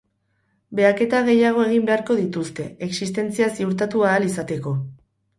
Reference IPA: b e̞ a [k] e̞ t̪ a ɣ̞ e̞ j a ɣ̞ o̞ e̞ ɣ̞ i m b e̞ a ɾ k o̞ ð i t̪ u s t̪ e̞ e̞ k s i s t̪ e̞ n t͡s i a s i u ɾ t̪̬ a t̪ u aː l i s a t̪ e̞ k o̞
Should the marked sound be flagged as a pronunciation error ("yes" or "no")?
no